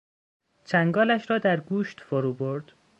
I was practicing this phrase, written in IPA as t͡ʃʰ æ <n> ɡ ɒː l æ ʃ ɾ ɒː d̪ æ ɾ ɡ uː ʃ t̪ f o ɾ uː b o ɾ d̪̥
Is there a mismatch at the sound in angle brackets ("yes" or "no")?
yes